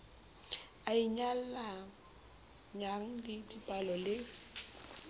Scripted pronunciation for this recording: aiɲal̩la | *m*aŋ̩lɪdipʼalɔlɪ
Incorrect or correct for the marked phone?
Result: incorrect: ɲ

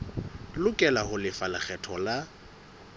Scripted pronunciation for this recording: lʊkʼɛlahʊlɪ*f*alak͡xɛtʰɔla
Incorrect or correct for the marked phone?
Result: correct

